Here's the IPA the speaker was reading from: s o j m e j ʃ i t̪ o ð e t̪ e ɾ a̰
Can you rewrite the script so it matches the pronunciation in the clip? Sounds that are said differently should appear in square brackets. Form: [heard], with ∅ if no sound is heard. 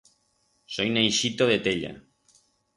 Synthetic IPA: s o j [n] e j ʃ i t̪ o ð e t̪ e [ʎ] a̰